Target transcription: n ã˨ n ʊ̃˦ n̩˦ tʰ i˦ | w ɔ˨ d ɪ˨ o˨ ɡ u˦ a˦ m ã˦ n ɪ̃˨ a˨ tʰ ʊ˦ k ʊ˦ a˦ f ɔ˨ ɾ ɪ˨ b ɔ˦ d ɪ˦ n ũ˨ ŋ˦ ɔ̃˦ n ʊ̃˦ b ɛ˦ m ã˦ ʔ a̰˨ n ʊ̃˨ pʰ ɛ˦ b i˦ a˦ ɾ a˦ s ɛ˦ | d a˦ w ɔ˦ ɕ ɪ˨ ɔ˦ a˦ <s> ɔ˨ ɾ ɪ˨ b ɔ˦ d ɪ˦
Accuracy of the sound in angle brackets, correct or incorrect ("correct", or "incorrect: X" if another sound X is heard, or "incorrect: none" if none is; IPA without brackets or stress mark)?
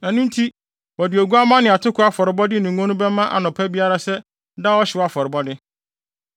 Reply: incorrect: f